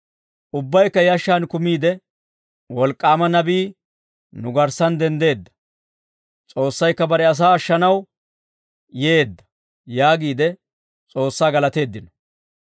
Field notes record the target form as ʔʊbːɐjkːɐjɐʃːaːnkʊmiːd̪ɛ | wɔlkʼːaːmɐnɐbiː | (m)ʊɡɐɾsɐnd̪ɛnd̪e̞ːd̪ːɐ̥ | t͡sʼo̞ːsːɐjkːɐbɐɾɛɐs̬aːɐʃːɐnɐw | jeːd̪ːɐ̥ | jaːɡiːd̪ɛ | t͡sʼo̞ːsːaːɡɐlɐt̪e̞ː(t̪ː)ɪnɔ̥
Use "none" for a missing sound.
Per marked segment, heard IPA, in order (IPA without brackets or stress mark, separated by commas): n, d̪ː